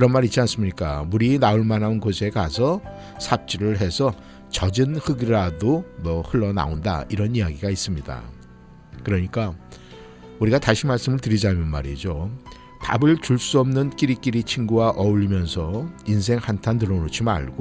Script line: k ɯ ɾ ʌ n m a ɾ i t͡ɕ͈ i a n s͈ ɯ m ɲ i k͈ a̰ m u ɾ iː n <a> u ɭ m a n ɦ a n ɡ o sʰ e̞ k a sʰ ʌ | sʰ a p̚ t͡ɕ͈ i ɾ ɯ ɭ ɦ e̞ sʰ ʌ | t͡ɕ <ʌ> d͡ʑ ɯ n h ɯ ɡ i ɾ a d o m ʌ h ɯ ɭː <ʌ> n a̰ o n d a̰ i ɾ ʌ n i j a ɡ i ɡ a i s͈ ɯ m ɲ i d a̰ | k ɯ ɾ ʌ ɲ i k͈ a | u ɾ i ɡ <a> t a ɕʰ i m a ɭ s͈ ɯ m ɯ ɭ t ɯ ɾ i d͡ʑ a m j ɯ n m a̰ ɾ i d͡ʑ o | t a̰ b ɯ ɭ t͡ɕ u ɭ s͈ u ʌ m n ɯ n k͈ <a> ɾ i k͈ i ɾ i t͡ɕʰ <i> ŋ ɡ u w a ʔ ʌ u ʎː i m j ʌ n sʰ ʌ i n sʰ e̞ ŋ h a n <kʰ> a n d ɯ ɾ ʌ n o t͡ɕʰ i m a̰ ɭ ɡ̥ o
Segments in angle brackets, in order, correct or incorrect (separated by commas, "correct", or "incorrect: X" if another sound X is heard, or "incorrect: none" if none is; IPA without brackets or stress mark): correct, correct, correct, correct, incorrect: i, correct, incorrect: tʰ